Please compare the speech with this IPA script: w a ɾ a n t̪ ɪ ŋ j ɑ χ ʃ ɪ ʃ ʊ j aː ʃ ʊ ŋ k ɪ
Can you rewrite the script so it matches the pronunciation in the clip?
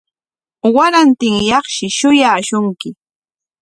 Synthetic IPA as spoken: w a ɾ a n t̪ ɪ ŋ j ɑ χ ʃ ɪ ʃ ʊ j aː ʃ ʊ ŋ k ɪ